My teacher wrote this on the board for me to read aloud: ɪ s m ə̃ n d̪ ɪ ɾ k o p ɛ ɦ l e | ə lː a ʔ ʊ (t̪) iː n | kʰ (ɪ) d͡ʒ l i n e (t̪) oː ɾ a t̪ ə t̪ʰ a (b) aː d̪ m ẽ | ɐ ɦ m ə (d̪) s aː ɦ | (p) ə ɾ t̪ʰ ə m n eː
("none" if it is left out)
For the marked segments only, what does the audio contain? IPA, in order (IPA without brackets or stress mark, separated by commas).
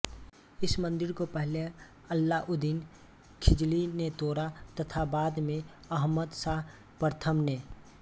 d̪, ɪ, t̪, b, d̪, p